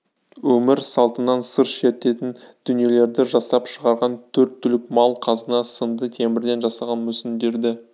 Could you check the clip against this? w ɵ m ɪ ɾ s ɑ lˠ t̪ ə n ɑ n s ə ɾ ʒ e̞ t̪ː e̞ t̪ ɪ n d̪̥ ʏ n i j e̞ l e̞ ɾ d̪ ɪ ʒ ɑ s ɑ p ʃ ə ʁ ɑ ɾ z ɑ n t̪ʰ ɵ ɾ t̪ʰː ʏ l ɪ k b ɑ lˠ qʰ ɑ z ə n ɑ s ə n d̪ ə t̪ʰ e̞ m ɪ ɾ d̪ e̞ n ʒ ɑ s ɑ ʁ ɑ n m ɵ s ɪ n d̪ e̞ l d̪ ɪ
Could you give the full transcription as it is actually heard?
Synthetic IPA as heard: w ɵ m ɪ ɾ s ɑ lˠ t̪ ə n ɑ n s ə ɾ ʃ e̞ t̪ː e̞ t̪ ɪ n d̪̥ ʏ n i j e̞ l e̞ ɾ d̪ ɪ ʒ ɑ s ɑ p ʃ ə ʁ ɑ ɾ ʁ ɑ n t̪ʰ ɵ ɾ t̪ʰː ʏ l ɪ k m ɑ lˠ qʰ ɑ z ə n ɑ s ə n d̪ ə t̪ʰ e̞ m ɪ ɾ d̪ e̞ n ʒ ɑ s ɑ ʁ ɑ n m ɵ s ɪ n d̪ e̞ ɾ d̪ ɪ

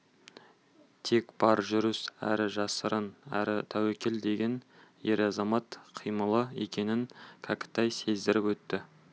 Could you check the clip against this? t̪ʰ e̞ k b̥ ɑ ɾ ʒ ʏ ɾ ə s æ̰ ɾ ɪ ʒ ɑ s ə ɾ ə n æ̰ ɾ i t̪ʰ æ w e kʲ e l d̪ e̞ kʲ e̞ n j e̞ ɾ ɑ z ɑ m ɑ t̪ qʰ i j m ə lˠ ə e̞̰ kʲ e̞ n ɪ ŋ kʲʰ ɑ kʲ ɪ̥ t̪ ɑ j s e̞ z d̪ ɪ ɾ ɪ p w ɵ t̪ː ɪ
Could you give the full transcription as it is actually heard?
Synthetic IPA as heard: t̪ʰ e̞ k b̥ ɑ ɾ ʒ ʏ ɾ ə s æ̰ ɾ ɪ ʒ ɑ s ə ɾ ə n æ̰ ɾ ɪ t̪ʰ æ w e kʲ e l d̪ e̞ ɡʲ e̞ n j e̞ ɾ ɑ z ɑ m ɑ t̪ qʰ i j m ə lˠ ə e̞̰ kʲ e̞ n ɪ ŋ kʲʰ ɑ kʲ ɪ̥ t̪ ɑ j s e̞ z d̪ ɪ ɾ ɪ p w ɵ t̪ː ɪ

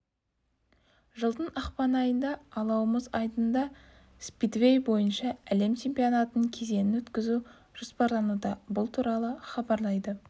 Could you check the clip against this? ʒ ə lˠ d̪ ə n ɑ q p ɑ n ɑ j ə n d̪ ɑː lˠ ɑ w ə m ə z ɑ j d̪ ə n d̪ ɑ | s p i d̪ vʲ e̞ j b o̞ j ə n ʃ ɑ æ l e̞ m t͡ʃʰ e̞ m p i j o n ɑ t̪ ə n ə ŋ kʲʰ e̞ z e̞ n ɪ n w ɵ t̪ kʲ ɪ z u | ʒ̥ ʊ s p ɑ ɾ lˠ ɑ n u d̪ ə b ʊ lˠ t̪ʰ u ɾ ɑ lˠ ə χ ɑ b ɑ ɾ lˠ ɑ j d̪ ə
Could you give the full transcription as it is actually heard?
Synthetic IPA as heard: ʒ ə lˠ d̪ ə n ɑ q p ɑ n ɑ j ə n d̪ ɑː lˠ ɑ w ə m ə z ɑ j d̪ ə n d̪ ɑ | s p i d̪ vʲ e̞ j b o̞ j ə n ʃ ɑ æ l e̞ m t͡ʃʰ e̞ m p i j o n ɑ t̪ ə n ə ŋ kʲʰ e̞ z e̞ n ɪ n w ɵ t̪ kʲ ɪ z u | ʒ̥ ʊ s p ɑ ɾ lˠ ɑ n u d̪ ɑ b ʊ lˠ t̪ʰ u ɾ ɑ lˠ ə χ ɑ b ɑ ɾ lˠ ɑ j d̪ ə

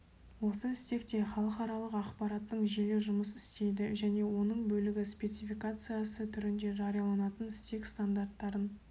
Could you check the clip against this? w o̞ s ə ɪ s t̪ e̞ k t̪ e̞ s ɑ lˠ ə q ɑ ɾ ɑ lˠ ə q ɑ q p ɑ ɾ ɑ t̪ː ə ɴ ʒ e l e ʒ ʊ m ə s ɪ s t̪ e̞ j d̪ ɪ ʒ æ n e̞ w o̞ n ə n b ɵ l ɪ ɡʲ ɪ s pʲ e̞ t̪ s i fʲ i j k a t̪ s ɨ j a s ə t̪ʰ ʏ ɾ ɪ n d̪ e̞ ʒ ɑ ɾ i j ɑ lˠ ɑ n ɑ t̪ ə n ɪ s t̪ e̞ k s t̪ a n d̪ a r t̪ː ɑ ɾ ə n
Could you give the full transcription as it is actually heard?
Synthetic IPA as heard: w o̞ s ə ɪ s t̪ e̞ k t̪ e̞ χ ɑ lˠ ə q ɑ ɾ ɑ lˠ ə q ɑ q p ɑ ɾ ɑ t̪ː ə ɴ ʒ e l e ʒ ʊ m ə s ɪ s t̪ e̞ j d̪ ɪ ʒ æ n e̞ w o̞ n ə ɴ b ɵ l ɪ ɡʲ ɪ s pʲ e̞ t̪ s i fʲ i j k a t̪ s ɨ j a s ə t̪ʰ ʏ ɾ ɪ n d̪ e̞ ʒ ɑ ɾ i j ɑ lˠ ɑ n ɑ t̪ ə n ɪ s t̪ e̞ k s t̪ a n d̪ a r t̪ː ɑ ɾ ə n

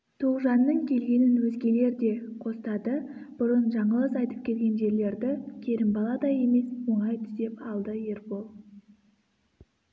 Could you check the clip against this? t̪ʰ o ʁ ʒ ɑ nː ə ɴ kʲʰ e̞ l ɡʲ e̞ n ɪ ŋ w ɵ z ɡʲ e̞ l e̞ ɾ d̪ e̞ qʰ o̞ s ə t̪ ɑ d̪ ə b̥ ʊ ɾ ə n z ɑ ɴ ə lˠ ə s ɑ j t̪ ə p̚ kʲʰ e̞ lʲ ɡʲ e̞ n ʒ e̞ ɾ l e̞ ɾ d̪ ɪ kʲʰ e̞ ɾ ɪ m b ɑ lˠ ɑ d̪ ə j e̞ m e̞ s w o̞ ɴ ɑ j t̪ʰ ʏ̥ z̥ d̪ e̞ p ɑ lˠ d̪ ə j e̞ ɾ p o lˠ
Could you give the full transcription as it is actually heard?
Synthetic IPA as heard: t̪ʰ o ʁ ʒ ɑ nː ə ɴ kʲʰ e̞ l ɡʲ e̞ n ɪ n w ɵ z ɡʲ e̞ l e̞ ɾ d̪ e̞ qʰ o̞ s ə t̪ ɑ d̪ ə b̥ ʊ ɾ ə n ʒ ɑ ɴ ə lˠ ə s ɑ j t̪ ə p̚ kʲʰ e̞ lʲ ɡʲ e̞ n ʒ e̞ ɾ l e̞ ɾ d̪ ɪ kʲʰ e̞ ɾ ɪ m b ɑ lˠ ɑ d̪ ɑ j e̞ m e̞ s w o̞ ɴ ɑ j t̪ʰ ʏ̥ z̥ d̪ e̞ p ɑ lˠ d̪ ə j e̞ ɾ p o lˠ

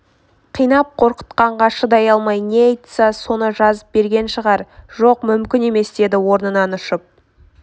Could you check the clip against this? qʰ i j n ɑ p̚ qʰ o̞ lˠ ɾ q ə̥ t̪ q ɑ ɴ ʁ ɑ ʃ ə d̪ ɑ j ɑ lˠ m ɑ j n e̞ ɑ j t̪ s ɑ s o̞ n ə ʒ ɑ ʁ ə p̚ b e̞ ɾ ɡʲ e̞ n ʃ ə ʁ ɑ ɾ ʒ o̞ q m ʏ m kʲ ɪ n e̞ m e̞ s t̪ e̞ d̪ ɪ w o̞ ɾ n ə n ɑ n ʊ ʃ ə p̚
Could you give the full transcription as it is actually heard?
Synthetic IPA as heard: qʰ i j n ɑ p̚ qʰ o̞ ɾ q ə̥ t̪ q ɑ ɴ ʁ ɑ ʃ ə d̪ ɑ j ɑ lˠ m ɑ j n e̞ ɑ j t̪ s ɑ s o̞ n ə ʒ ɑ z ə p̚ b e̞ ɾ ɡʲ e̞ n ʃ ə ʁ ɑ ɾ ʒ o̞ q m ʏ m kʲ ɪ n e̞ m e̞ s d̪ e̞ d̪ ɪ w o̞ ɾ n ə n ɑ n ʊ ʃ ə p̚

